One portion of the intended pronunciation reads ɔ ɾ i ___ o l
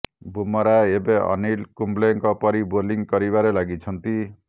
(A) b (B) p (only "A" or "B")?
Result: A